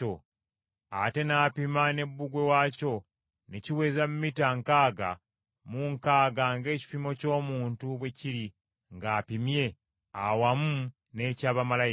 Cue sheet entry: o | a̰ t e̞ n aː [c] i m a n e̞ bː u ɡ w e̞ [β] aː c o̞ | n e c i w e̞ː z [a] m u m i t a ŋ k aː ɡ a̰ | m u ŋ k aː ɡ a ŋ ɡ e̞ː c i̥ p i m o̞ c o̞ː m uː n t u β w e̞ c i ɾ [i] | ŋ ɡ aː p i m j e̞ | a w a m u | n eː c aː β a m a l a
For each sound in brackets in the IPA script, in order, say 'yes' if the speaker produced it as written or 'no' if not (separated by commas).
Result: no, no, yes, yes